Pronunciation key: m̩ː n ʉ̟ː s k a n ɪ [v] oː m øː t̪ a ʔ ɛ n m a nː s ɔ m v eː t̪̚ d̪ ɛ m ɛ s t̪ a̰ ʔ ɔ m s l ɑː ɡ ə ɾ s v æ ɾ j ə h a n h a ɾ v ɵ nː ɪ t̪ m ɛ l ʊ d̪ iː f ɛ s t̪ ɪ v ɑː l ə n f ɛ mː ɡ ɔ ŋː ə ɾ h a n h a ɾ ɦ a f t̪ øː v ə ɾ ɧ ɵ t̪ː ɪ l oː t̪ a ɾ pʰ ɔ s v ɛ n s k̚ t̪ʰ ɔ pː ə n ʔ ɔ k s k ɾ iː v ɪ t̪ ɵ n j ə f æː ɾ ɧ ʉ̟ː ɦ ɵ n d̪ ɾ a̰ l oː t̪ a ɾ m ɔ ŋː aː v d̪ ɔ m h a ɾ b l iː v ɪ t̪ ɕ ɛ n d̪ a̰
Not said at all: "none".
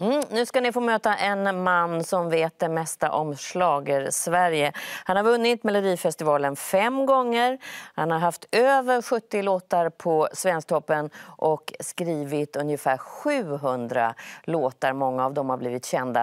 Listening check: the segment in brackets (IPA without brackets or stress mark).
f